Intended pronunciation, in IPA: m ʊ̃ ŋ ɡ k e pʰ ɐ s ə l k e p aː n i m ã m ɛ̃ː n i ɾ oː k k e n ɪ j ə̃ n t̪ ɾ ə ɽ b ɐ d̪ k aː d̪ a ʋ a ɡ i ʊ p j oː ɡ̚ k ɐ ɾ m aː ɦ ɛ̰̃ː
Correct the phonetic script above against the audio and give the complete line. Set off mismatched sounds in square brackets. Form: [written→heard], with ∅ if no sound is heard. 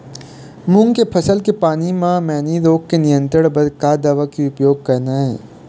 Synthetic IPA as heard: m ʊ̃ ŋ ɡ k e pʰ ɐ s ə l k e p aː n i m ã m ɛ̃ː n i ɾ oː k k e n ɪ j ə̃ n t̪ ɾ ə ɽ b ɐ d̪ k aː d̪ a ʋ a [ɡ→k] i ʊ p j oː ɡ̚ k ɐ ɾ [m→n] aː ɦ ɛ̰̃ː